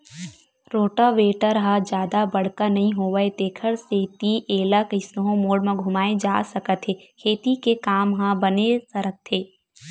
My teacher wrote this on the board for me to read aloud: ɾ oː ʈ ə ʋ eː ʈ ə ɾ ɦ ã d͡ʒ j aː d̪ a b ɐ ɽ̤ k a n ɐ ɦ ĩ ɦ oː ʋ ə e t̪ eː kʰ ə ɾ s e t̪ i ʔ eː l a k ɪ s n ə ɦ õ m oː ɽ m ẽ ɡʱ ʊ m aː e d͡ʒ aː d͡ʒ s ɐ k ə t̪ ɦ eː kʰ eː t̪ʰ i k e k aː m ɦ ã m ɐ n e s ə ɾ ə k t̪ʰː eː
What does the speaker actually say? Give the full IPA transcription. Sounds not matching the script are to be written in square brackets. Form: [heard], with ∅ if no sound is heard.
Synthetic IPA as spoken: ɾ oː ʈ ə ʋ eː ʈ ə ɾ ɦ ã d͡ʒ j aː d̪ a b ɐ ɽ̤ k a n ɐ ɦ ĩ ɦ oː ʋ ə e t̪ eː kʰ ə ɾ s e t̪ i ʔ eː l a k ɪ s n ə ɦ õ m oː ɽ m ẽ ɡʱ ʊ m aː e d͡ʒ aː [∅] s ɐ k ə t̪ ɦ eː kʰ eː [t̪] i k e k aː m ɦ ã [b] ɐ n e s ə ɾ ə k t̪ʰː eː

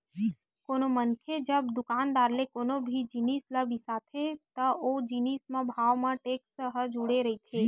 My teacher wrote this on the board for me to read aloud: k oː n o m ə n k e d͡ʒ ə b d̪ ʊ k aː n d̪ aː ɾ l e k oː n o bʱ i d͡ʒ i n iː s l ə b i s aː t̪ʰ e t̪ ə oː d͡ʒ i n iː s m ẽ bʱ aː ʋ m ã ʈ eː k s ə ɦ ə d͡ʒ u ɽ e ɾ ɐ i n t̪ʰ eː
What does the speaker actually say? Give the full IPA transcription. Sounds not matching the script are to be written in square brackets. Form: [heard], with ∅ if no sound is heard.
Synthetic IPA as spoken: k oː n o m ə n [kʰ] e d͡ʒ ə b d̪ ʊ k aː n d̪ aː ɾ l e k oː n o bʱ i d͡ʒ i n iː s l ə b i s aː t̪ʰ e t̪ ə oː d͡ʒ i n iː s m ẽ bʱ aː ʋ m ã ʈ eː k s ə ɦ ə d͡ʒ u ɽ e ɾ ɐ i [∅] t̪ʰ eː

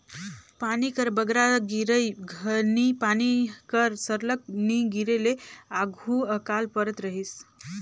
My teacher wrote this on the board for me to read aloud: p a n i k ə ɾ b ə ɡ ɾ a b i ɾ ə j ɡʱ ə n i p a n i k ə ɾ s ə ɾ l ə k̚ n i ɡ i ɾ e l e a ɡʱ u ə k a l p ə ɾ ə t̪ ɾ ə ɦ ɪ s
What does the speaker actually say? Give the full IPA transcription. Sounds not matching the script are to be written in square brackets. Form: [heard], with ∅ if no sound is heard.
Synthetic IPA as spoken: p a n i k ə ɾ b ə ɡ ɾ a [ɡ] i ɾ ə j ɡʱ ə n i p a n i k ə ɾ s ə ɾ l ə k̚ n i ɡ i ɾ e l e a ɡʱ u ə k a l p ə ɾ ə t̪ ɾ ə ɦ [i] s

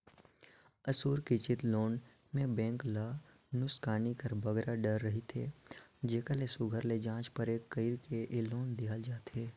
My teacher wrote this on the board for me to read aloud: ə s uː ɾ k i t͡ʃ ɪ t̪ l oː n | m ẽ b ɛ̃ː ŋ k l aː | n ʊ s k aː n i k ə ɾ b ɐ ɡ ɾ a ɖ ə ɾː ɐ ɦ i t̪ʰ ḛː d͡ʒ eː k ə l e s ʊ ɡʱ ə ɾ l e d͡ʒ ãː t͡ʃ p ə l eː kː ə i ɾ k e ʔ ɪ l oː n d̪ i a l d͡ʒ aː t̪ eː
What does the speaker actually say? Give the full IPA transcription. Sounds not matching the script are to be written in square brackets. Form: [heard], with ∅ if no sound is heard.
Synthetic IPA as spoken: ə s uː ɾ k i t͡ʃ ɪ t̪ l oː n | m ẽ b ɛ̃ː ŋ k l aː | n ʊ s k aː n i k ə ɾ b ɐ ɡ ɾ a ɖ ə ɾː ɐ ɦ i t̪ʰ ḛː d͡ʒ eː k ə l e s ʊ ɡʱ ə ɾ l e d͡ʒ ãː t͡ʃ p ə [ɾ] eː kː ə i ɾ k e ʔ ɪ l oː n d̪ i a l d͡ʒ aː t̪ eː

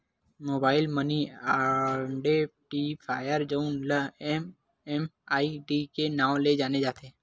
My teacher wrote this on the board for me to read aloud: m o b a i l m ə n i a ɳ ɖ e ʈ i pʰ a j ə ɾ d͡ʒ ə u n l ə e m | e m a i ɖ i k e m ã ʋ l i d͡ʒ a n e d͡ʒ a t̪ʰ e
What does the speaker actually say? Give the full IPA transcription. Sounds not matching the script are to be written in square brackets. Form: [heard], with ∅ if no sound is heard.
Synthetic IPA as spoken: m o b a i l m ə n i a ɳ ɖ e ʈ i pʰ a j ə ɾ d͡ʒ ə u n l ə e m | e m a i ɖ i k e [n] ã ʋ l [e] d͡ʒ a n e d͡ʒ a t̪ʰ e

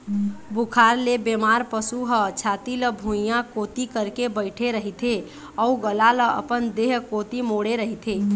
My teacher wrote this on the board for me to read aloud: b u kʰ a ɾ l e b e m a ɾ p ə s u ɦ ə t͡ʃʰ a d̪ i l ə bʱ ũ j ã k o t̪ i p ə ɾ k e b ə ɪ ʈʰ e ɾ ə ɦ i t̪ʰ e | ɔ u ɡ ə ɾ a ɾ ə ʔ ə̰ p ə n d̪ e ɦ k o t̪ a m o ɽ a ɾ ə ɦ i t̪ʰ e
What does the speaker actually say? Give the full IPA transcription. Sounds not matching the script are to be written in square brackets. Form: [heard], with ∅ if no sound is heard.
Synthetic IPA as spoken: b u kʰ a ɾ l e b e m a ɾ p ə s u ɦ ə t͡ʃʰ a [t̪] i l ə bʱ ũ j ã k o t̪ i [k] ə ɾ k e b ə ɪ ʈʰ e ɾ ə ɦ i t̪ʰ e | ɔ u ɡ ə [l] a [l] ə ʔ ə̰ p ə n d̪ e ɦ k o t̪ [i] m o ɽ [e] ɾ ə ɦ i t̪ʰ e

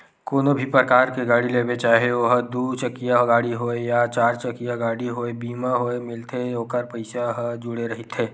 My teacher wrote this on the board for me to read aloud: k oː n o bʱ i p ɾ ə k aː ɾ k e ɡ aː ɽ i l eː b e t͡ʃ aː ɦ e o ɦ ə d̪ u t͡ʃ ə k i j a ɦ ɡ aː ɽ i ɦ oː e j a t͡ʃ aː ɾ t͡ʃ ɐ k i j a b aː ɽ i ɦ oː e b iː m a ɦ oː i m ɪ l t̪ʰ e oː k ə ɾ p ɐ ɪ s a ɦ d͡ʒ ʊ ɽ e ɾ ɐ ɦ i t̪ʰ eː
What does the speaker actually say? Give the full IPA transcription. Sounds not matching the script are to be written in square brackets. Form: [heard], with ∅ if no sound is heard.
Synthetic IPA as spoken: k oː n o bʱ i p ɾ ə k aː ɾ k e ɡ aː ɽ i l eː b e t͡ʃ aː ɦ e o ɦ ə d̪ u t͡ʃ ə k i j a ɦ ɡ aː ɽ i ɦ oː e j a t͡ʃ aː ɾ t͡ʃ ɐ k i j a [ɡ] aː ɽ i ɦ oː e b iː m a ɦ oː [e] m ɪ l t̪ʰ e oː k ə ɾ p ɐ ɪ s a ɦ d͡ʒ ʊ ɽ e ɾ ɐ ɦ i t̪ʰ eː

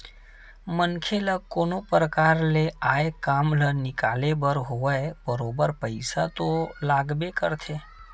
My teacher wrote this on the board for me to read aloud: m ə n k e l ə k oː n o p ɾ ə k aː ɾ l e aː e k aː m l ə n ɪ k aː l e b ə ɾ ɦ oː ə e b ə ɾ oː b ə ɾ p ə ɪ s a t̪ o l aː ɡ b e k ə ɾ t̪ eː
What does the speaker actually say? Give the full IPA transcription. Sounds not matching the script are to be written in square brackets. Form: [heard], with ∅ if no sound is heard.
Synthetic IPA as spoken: m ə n [kʰ] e l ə k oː n o p ɾ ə k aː ɾ l e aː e k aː m l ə n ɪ k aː l e b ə ɾ ɦ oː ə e b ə ɾ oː b ə ɾ p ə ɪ s a t̪ o l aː ɡ b e k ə ɾ [t̪ʰ] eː

